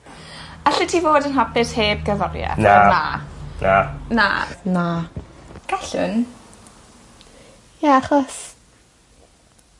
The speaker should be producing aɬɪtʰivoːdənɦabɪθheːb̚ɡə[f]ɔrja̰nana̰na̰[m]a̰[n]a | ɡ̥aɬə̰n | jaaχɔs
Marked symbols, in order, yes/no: no, no, yes

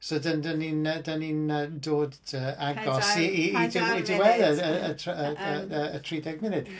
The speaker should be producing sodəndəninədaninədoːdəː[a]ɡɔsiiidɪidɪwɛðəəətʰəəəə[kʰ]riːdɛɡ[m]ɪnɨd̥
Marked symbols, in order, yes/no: yes, no, yes

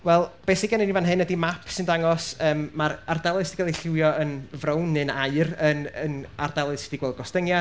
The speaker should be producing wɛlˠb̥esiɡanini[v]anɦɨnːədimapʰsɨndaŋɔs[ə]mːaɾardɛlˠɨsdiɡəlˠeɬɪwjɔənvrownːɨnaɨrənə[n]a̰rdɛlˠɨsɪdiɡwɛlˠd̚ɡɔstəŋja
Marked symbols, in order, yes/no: yes, no, yes

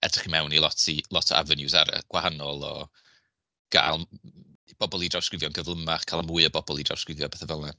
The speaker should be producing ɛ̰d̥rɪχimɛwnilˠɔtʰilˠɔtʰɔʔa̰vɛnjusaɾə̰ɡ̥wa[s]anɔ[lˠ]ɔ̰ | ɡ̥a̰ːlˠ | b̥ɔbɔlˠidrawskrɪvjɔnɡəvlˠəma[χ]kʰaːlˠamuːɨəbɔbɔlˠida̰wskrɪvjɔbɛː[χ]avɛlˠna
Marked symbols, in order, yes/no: no, yes, yes, no

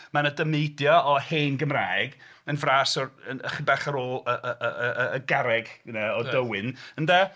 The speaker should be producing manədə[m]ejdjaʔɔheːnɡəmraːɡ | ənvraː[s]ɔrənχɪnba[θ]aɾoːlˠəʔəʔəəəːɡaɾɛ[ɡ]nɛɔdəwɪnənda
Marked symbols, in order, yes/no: yes, yes, no, yes

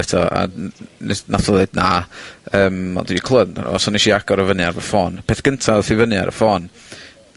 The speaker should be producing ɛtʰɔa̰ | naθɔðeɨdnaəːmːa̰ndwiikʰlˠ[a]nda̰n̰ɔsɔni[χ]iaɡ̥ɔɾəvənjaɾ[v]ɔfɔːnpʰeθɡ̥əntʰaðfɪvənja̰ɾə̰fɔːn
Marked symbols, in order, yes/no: no, no, yes

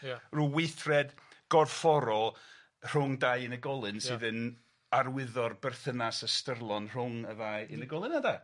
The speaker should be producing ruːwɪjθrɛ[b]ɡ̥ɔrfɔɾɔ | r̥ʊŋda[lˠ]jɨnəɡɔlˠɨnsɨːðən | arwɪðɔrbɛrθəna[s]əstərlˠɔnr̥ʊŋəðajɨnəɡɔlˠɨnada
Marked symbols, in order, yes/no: no, no, yes

